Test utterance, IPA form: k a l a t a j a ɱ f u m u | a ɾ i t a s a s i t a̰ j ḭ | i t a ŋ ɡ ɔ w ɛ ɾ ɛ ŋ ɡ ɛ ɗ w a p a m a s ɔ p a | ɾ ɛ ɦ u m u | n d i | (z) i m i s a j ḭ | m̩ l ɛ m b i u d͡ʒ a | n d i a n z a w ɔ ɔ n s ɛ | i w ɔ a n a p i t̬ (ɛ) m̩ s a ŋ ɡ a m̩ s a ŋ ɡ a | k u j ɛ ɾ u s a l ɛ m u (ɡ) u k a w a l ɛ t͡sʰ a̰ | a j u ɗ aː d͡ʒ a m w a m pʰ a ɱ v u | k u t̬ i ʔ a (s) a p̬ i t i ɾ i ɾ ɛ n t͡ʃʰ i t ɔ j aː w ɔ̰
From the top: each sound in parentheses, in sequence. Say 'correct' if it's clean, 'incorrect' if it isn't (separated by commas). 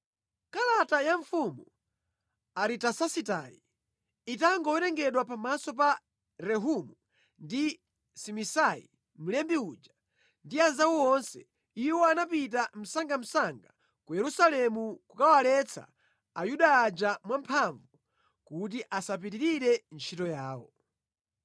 incorrect, incorrect, incorrect, correct